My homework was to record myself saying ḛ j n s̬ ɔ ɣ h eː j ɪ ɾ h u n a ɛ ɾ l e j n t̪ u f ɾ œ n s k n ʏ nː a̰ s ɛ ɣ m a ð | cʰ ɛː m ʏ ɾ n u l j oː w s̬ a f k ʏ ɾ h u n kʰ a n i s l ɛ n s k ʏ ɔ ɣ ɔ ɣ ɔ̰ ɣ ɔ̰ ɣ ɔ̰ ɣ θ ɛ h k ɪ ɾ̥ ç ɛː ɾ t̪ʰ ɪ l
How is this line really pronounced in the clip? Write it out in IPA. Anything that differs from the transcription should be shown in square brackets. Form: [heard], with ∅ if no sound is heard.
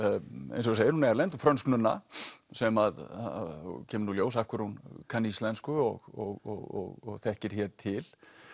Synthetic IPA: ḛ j n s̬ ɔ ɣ [s] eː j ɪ ɾ h u n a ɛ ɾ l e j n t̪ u f ɾ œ n s k n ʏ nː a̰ s ɛ [∅] m a ð | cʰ ɛː m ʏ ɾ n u l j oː w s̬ a f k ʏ ɾ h u n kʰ a n i s l ɛ n s k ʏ ɔ ɣ ɔ ɣ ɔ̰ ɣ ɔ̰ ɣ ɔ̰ ɣ θ ɛ h [c] ɪ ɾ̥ ç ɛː ɾ t̪ʰ ɪ l